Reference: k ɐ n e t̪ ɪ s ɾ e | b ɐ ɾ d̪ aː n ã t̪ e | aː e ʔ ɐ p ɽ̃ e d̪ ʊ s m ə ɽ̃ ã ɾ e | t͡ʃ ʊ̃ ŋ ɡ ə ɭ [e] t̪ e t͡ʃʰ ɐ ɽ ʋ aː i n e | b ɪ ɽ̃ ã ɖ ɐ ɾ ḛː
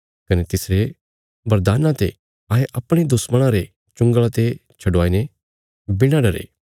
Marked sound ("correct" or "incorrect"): incorrect